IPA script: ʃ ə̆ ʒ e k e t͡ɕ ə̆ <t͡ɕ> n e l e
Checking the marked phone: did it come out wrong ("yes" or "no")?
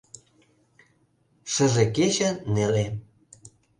yes